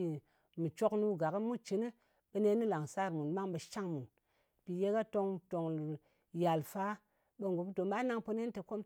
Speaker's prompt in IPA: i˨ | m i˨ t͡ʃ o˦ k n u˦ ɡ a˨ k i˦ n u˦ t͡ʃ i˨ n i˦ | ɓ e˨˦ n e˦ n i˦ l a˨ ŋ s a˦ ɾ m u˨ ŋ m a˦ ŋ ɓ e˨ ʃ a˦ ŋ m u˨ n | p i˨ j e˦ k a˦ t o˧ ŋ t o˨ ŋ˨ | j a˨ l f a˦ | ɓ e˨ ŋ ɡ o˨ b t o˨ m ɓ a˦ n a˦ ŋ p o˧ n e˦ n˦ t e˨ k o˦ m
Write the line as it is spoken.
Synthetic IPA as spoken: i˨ | m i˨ t͡ʃ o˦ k n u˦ ɡ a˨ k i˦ m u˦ t͡ʃ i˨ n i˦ | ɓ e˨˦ n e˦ n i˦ l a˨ ŋ s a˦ ɾ m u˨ n m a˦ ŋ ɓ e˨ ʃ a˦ ŋ m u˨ n | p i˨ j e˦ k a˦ t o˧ ŋ t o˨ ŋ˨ | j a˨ l f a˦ | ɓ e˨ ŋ ɡ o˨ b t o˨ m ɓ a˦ n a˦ ŋ p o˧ n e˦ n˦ t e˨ k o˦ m